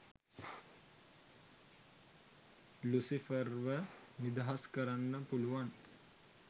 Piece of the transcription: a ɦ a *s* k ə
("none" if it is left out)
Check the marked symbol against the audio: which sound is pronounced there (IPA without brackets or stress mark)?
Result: s